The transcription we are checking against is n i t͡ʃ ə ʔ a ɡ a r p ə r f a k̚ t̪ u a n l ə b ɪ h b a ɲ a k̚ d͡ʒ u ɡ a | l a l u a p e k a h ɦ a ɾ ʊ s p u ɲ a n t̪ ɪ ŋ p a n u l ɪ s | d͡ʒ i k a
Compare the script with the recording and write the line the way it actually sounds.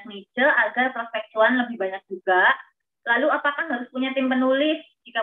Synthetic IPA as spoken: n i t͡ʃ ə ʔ a ɡ a r p ə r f ɛ k̚ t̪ u a n l ə b ɪ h b a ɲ a k̚ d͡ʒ u ɡ a | l a l u a p a k a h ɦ a ɾ ʊ s p u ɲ a t̪ ɪ m p ə n u l ɪ s | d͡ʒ i k a